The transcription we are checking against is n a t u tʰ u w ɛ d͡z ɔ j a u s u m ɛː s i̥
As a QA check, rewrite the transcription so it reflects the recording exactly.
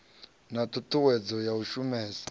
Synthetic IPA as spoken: n a t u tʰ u w ɛ d͡z ɔ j a u ʃ u m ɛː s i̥